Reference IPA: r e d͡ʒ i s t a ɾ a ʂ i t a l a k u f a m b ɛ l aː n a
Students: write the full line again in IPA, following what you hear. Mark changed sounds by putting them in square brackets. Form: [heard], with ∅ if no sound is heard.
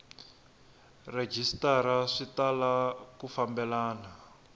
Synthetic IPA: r e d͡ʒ i s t a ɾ a ʂ i t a l a k u f a m b ɛ l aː n a

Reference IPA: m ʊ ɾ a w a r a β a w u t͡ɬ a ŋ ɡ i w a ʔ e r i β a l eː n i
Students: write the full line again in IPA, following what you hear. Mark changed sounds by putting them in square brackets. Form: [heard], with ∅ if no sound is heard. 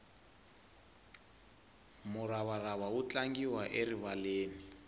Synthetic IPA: m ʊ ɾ a [β] a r a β a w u t͡ɬ a ŋ ɡ i w a ʔ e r i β a l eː n i

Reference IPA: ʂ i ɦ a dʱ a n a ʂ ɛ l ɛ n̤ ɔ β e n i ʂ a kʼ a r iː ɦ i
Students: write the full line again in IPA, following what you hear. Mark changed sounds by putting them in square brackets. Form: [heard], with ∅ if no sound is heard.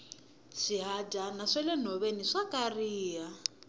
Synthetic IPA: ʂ i ɦ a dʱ a n a ʂ ɛ l ɛ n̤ ɔ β e n i ʂ a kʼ a r iː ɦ [a]

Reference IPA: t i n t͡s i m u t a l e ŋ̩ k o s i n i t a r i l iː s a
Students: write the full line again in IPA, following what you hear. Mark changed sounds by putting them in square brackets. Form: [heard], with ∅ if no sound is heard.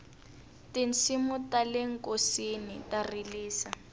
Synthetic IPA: t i n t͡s i m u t a l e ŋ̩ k o s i n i t a r i l iː s a

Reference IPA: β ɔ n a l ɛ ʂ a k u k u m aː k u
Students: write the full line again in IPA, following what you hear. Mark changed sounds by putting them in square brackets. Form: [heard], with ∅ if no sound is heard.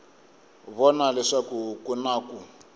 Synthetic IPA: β ɔ n a l ɛ ʂ a k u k u [n] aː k u

